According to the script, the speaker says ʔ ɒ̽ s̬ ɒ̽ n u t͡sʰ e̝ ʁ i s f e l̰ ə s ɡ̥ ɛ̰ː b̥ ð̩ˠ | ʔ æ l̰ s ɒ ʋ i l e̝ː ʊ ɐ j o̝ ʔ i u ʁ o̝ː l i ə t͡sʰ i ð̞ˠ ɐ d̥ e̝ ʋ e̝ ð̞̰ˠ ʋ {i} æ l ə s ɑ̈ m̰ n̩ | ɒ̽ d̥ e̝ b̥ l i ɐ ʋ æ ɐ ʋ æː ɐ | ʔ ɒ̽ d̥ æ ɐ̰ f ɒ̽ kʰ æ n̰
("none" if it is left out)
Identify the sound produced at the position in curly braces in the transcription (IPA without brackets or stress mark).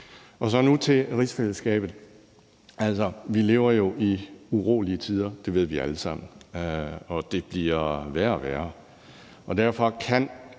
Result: i